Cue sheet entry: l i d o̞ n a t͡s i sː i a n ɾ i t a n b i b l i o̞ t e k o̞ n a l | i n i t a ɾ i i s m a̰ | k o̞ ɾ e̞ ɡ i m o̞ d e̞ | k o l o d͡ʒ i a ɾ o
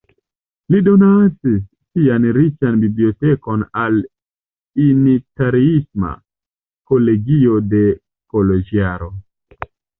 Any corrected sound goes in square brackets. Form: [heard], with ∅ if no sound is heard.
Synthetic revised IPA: l i d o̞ n a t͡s i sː i a n ɾ i [t͡ʃ] a n b i b l i o̞ t e k o̞ n a l | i n i t a ɾ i i s m a̰ | k o̞ [l] e̞ ɡ i [∅] o̞ d e̞ | k o l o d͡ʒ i a ɾ o